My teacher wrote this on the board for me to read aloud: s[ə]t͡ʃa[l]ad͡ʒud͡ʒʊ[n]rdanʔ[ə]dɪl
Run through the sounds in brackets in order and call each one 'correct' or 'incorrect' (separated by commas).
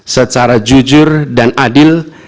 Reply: correct, incorrect, incorrect, incorrect